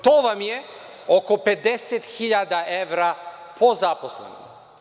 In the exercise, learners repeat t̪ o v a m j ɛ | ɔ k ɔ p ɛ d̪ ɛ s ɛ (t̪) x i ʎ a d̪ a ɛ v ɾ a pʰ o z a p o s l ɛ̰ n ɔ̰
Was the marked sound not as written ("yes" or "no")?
no